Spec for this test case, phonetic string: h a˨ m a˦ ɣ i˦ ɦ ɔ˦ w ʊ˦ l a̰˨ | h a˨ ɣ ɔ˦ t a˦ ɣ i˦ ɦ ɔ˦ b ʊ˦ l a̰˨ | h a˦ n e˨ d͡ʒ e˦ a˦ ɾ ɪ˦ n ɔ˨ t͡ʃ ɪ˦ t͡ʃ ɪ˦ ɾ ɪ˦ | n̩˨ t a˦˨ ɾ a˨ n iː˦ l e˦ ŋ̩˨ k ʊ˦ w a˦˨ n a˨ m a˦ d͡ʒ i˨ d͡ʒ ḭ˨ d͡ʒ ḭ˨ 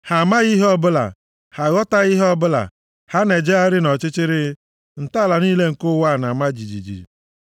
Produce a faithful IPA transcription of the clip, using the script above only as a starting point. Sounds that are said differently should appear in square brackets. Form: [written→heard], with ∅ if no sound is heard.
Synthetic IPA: h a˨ m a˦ ɣ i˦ ɦ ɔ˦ [w→b] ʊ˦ l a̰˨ | h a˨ ɣ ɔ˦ t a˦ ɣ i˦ ɦ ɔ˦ b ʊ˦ l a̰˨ | h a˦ n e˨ d͡ʒ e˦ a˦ ɾ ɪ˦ n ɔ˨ t͡ʃ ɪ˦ t͡ʃ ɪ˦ ɾ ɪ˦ | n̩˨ t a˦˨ [ɾ→l] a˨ n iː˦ l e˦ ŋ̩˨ k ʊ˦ w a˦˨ n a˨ m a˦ d͡ʒ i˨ d͡ʒ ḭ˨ d͡ʒ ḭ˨